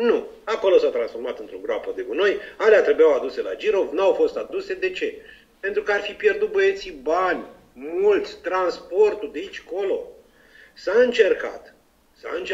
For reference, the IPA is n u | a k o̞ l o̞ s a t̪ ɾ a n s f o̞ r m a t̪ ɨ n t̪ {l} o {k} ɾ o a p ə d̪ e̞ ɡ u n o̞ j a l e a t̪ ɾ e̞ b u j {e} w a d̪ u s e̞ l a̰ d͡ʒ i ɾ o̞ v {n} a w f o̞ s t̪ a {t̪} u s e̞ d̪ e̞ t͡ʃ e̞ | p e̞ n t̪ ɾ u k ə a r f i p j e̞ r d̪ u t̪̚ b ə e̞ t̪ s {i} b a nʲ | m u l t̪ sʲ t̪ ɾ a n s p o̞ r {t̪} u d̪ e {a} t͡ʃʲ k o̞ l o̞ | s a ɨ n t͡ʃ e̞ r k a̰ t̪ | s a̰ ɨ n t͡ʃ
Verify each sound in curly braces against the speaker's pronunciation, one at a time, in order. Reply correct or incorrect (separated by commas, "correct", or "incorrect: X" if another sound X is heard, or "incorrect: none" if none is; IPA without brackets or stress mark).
incorrect: ɾ, incorrect: ɡ, incorrect: a, correct, incorrect: d̪, correct, correct, incorrect: i